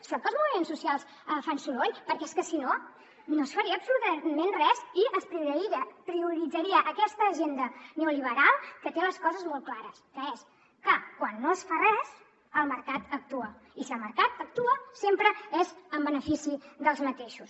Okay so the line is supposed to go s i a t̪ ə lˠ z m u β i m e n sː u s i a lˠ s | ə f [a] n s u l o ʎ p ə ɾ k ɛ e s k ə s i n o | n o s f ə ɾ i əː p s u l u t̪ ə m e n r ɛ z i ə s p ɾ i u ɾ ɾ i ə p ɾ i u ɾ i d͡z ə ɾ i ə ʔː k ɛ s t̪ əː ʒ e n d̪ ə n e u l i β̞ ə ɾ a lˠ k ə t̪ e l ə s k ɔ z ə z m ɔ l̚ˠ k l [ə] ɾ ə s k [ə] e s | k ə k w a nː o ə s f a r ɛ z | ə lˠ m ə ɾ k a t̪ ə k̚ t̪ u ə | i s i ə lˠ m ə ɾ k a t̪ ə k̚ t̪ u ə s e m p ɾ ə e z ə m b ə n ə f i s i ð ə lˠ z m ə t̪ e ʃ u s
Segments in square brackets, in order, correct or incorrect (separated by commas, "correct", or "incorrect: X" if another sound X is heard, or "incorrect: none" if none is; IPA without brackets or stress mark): correct, incorrect: a, correct